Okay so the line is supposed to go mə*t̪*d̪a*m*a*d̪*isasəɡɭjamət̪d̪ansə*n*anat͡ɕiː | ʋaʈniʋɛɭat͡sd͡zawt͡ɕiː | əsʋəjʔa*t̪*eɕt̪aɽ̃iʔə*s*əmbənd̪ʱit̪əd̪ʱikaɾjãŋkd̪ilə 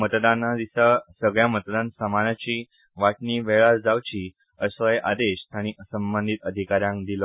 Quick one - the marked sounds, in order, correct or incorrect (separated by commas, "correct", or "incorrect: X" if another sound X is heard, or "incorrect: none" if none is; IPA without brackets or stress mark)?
correct, incorrect: n, correct, incorrect: m, incorrect: d̪, correct